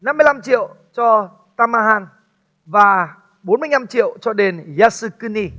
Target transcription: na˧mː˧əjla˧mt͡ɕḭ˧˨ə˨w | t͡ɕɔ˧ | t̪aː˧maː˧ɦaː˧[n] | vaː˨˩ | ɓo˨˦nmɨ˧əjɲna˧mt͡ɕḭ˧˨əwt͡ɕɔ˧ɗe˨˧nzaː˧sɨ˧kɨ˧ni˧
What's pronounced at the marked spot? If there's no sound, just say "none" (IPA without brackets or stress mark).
n